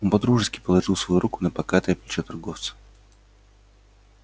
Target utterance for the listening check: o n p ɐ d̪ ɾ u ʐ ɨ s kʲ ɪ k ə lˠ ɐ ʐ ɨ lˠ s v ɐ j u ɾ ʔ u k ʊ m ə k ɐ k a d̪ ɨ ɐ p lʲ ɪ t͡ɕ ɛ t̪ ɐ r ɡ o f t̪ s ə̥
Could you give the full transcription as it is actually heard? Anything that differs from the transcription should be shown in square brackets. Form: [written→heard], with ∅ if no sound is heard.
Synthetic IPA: o n p ɐ d̪ ɾ u ʐ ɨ s kʲ ɪ [k→p] ə lˠ ɐ ʐ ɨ lˠ s v ɐ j u ɾ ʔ u k ʊ [m→n] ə [k→p] ɐ k a [d̪→t̪] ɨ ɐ p lʲ ɪ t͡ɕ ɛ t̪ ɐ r ɡ o f t̪ s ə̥